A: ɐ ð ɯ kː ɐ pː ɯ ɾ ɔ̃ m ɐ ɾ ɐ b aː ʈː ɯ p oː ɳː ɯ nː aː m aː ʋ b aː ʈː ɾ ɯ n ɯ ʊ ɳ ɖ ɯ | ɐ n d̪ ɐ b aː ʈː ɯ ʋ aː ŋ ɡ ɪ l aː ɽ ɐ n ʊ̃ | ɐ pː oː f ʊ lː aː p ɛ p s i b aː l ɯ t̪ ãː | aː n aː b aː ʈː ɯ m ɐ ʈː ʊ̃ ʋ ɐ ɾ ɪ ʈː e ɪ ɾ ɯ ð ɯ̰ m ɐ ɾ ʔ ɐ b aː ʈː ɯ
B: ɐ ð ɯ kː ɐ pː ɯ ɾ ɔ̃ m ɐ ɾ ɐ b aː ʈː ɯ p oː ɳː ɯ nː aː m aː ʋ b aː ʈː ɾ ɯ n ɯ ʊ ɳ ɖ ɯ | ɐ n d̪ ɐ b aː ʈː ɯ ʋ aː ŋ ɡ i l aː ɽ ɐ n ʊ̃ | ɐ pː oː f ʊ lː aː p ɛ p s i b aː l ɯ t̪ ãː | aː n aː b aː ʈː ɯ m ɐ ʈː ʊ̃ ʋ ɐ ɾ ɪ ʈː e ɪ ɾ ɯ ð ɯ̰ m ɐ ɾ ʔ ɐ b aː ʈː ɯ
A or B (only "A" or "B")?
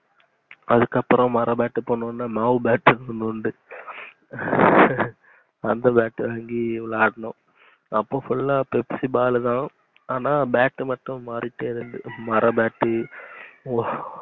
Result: B